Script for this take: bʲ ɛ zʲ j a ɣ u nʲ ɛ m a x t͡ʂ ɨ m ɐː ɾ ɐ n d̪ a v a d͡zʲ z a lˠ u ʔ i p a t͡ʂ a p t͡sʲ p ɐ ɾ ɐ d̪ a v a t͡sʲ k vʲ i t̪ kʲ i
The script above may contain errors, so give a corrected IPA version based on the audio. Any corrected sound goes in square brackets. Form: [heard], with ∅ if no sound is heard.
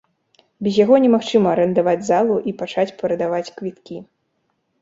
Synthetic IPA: bʲ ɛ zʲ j a ɣ [ɔ] nʲ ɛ m a x t͡ʂ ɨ m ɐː ɾ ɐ n d̪ a v a d͡zʲ z a lˠ u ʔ i p a t͡ʂ a [∅] t͡sʲ p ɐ ɾ ɐ d̪ a v a t͡sʲ k vʲ i t̪ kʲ i